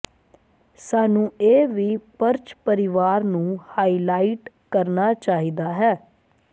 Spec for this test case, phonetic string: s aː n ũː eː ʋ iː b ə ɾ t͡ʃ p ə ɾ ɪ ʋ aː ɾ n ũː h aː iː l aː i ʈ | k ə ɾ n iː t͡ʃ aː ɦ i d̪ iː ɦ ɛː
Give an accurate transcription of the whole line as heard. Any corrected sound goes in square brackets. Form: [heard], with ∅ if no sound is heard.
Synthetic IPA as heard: s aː n ũː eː ʋ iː [p] ə ɾ t͡ʃ p ə ɾ ɪ ʋ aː ɾ n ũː h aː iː l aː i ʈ | k ə ɾ n [aː] t͡ʃ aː ɦ i d̪ [aː] ɦ ɛː

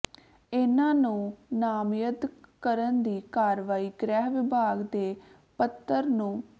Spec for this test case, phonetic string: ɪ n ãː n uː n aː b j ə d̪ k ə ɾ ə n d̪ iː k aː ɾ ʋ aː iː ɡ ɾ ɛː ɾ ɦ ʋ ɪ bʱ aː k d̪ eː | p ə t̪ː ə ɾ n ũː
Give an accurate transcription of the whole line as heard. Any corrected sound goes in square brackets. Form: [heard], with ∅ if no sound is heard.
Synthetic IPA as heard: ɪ n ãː n [ũː] n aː [m] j ə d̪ k ə ɾ ə n d̪ iː k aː ɾ ʋ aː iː ɡ ɾ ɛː [∅] ɦ ʋ ɪ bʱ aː [ɡ] d̪ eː | p ə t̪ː ə ɾ n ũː

